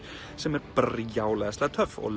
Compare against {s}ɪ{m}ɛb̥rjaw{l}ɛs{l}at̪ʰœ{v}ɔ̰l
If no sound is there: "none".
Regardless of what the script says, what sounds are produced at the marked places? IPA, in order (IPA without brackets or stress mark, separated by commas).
s, m, l, l, f